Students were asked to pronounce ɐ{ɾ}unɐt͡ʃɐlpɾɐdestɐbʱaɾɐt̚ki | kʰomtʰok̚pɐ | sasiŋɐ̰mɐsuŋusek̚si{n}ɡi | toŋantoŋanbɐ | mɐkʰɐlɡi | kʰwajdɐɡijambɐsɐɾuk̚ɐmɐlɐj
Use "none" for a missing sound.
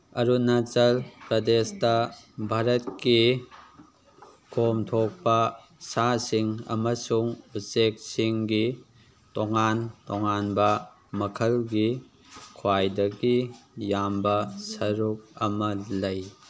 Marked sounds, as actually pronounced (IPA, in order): ɾ, ŋ

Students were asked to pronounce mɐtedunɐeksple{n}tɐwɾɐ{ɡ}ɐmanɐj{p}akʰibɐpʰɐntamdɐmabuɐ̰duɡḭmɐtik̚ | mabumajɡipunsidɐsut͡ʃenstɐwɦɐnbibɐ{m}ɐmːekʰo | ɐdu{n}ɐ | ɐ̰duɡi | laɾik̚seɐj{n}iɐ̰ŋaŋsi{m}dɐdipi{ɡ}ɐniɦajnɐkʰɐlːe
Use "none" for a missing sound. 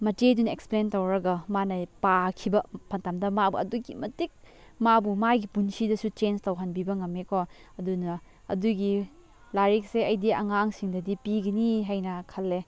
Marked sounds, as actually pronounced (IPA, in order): n, ɡ, p, ŋ, n, d, ŋ, ɡ

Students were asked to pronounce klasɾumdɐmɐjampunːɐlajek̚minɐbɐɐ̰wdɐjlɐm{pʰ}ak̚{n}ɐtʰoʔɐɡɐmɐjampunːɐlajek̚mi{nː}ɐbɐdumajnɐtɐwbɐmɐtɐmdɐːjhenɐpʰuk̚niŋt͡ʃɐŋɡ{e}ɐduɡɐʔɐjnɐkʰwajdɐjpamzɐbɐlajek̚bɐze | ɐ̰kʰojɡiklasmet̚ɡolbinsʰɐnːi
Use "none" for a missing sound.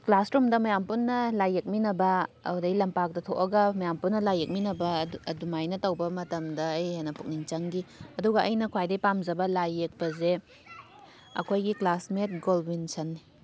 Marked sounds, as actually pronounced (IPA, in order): p, d, n, i

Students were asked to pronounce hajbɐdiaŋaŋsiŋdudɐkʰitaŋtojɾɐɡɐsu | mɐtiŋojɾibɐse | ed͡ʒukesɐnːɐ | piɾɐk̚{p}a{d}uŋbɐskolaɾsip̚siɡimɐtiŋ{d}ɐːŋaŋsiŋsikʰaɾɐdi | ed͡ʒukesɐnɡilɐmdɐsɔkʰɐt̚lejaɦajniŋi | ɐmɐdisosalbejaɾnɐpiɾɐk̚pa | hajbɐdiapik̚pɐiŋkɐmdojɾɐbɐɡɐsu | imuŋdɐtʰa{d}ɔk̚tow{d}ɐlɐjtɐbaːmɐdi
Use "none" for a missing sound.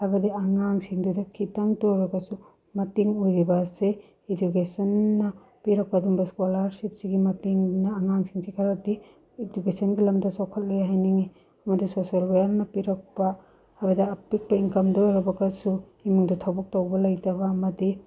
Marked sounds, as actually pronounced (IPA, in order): p, d, n, b, b

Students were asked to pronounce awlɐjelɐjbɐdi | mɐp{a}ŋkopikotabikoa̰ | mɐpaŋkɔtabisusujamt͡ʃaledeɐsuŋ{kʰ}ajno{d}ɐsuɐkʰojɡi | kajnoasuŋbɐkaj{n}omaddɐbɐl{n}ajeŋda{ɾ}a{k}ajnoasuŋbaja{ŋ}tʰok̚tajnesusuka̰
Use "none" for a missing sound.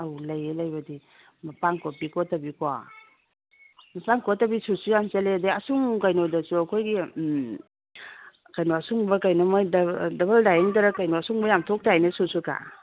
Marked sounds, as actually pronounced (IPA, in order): a, k, d, n, d, ɾ, k, m

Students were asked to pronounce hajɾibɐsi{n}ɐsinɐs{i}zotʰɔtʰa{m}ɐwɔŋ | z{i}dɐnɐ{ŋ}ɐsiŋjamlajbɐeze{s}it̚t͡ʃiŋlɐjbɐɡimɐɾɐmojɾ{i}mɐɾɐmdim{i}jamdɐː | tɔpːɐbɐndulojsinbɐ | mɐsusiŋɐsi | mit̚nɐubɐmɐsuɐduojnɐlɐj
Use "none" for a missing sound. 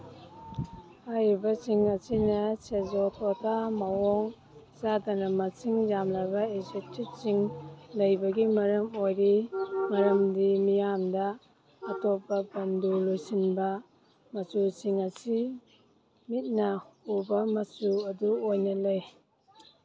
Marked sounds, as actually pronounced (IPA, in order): ŋ, e, m, a, m, t, i, i

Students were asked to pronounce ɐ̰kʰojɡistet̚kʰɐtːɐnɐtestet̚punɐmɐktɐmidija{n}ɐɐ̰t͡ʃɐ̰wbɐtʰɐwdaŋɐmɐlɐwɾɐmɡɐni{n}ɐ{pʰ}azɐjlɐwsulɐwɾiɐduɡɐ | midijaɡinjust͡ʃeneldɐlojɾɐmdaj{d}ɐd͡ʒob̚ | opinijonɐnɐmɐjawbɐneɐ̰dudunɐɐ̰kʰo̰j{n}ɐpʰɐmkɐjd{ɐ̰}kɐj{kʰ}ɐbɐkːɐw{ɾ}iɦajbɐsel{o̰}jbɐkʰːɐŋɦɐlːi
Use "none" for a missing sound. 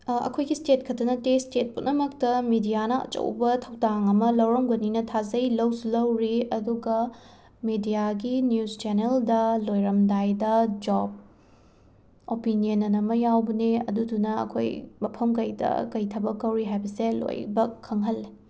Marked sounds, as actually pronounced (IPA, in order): n, n, tʰ, d, m, ɐ̰, tʰ, ɾ, o̰

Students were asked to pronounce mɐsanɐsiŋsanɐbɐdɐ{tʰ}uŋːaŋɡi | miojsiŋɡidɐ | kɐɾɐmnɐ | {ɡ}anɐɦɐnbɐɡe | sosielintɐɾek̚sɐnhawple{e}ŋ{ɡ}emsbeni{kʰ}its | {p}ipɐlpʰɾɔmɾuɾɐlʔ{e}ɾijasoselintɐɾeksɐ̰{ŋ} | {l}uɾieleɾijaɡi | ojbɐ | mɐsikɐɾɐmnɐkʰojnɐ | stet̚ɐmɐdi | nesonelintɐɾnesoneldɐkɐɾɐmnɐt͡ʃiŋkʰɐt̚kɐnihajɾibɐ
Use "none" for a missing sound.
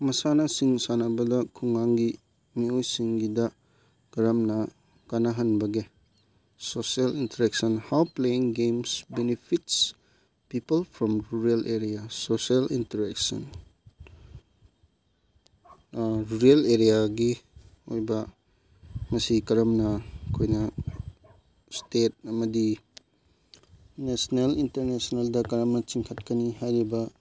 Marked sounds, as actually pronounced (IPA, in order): kʰ, k, i, ɡ, pʰ, p, e, n, ɾ

